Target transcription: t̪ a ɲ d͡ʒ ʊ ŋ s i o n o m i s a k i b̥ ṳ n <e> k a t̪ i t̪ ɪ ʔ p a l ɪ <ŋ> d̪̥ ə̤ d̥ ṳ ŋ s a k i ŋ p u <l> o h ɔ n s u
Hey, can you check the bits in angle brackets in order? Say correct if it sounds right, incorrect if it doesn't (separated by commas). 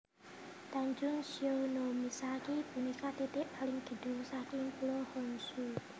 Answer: incorrect, correct, correct